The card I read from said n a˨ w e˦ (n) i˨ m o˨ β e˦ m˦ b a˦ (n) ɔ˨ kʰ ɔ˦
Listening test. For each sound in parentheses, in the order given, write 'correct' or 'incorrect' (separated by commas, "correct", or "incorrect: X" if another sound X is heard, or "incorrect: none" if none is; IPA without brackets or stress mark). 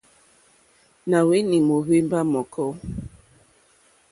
correct, incorrect: m